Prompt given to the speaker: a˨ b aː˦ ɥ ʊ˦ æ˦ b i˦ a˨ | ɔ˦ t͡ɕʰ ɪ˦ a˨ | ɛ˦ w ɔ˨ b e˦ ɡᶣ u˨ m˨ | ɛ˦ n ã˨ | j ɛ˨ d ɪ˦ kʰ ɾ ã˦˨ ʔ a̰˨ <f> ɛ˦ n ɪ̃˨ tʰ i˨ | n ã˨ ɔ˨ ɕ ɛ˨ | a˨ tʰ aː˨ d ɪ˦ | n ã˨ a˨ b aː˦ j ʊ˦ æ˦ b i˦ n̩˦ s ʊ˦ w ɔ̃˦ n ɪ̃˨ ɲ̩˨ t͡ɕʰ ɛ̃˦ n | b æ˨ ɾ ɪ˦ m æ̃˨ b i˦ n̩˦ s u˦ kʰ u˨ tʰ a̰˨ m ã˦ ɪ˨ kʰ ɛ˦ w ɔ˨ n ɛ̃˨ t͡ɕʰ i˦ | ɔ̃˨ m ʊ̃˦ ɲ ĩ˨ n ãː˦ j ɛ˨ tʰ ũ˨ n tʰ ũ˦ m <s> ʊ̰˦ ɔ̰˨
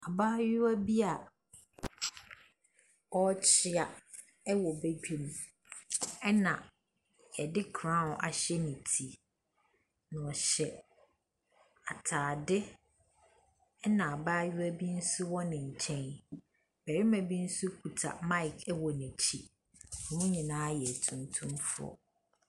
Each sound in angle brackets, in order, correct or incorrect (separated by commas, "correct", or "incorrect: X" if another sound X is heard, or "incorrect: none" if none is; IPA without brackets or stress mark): incorrect: ɕ, incorrect: f